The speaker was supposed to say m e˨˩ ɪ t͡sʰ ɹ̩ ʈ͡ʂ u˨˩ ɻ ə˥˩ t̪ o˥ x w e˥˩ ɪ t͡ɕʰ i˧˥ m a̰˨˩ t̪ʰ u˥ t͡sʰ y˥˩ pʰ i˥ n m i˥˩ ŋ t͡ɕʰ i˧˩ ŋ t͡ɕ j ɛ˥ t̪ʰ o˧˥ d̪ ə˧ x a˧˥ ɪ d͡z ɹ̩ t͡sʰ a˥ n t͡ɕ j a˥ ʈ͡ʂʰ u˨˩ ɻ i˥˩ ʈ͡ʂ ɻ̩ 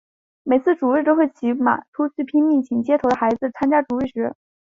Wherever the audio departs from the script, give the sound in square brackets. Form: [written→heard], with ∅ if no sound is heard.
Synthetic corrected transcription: m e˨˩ ɪ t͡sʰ ɹ̩ ʈ͡ʂ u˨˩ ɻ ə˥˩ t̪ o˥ x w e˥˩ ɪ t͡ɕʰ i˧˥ m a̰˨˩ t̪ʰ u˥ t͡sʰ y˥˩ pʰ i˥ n m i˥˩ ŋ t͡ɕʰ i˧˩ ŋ t͡ɕ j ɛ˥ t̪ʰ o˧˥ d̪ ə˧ x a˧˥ ɪ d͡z ɹ̩ t͡sʰ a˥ n t͡ɕ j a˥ [ʈ͡ʂʰ→ʈ͡ʂ] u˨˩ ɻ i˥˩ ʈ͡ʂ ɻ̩